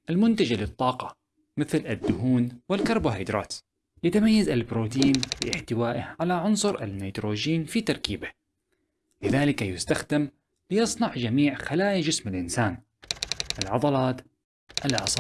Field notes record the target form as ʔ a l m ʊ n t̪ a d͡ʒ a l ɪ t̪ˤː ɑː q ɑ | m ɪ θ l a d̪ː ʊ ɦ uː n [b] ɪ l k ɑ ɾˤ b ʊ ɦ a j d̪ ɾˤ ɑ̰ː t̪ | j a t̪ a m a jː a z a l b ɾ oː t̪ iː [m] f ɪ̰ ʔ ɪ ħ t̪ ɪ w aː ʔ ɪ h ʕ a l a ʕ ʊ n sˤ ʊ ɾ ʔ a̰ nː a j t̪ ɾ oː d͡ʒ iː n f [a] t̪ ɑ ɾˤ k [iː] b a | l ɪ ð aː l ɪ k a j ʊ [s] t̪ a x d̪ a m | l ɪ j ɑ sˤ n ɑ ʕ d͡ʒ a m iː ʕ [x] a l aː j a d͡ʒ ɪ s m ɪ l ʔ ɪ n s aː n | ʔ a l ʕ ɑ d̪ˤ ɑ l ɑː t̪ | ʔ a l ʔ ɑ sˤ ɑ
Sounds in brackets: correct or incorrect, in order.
incorrect: w, incorrect: n, incorrect: i, correct, correct, correct

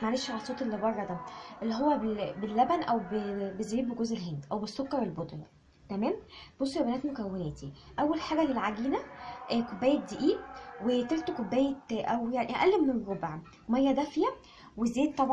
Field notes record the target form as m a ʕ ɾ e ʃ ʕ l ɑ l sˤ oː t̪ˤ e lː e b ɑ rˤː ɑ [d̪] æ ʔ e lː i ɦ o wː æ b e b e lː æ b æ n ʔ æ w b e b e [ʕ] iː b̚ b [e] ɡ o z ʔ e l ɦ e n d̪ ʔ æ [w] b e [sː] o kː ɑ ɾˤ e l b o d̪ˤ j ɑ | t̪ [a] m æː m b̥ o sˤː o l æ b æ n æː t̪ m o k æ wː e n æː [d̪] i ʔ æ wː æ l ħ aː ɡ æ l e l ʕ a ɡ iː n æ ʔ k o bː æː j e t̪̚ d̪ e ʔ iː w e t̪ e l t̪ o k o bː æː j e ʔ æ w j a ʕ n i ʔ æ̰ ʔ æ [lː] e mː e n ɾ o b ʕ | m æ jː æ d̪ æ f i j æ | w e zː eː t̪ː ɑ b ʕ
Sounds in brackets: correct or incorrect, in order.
correct, incorrect: z, correct, correct, correct, incorrect: æ, incorrect: t̪, correct

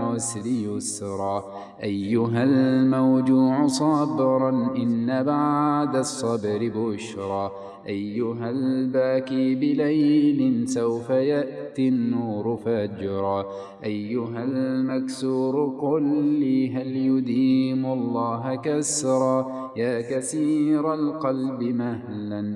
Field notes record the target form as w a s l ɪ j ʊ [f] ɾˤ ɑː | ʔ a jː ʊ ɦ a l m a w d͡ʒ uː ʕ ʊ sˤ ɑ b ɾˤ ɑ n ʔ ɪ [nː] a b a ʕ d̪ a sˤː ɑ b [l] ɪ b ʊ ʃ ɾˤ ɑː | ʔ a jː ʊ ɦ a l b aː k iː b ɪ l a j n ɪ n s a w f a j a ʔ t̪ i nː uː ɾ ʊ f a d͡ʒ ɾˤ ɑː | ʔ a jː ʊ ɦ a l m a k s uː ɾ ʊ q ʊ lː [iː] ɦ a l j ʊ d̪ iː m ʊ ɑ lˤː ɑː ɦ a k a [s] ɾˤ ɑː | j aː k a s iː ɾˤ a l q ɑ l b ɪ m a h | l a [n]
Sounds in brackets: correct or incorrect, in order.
incorrect: s, correct, incorrect: ɾ, correct, correct, correct

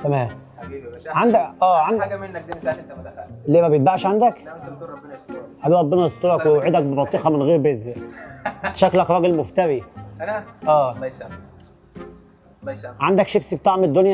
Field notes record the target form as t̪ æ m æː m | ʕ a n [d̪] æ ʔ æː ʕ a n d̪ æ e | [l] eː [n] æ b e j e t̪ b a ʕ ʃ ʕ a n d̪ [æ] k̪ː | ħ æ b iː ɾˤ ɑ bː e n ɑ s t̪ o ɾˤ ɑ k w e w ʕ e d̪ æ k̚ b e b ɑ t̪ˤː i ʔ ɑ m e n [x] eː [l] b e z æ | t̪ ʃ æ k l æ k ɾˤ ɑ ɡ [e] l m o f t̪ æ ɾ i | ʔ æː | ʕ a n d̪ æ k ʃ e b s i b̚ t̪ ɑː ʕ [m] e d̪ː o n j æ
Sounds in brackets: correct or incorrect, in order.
correct, correct, incorrect: m, correct, incorrect: ɣ, incorrect: ɾ, correct, correct

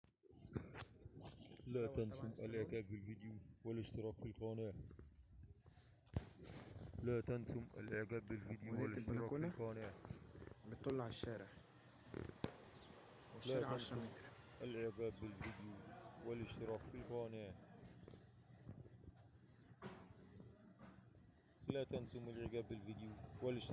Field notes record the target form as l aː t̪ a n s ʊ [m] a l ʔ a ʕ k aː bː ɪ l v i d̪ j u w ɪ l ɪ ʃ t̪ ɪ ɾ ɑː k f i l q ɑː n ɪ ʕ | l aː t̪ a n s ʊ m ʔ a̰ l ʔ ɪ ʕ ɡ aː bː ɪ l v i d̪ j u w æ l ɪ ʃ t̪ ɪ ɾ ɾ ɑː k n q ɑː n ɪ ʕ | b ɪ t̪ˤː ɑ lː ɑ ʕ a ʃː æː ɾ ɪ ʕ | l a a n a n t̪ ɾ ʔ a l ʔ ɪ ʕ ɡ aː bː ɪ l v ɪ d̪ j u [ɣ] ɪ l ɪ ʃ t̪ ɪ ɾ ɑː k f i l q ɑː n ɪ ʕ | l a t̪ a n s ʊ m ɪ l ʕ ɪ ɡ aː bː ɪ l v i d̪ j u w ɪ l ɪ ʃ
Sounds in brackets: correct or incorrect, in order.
correct, incorrect: w

